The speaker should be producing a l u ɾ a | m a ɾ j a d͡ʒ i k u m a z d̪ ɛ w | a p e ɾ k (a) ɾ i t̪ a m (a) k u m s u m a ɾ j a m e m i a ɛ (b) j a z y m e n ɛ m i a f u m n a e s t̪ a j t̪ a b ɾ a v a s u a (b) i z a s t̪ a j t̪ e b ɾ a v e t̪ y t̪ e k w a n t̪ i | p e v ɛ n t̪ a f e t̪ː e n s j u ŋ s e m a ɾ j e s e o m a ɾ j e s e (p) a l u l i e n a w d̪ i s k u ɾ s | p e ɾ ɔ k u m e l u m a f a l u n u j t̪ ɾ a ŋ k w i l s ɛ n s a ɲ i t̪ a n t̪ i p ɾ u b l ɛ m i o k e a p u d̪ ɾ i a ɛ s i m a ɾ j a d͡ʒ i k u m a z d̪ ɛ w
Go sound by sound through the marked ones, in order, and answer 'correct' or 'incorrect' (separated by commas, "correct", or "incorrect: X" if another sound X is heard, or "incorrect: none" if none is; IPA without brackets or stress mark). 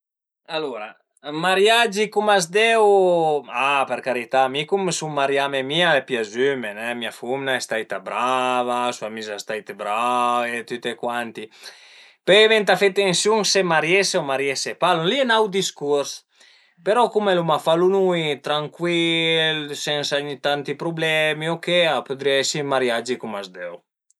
correct, incorrect: i, incorrect: p, incorrect: m, correct